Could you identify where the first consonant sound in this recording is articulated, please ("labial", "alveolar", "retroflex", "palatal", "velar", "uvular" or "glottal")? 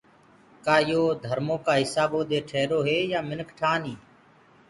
velar